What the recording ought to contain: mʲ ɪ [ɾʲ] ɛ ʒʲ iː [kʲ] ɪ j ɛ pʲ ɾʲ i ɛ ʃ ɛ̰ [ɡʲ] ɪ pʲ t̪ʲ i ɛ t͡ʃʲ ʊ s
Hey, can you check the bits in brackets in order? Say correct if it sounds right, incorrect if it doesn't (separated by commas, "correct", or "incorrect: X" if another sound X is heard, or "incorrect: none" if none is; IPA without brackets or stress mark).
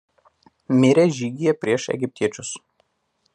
correct, incorrect: ɡʲ, correct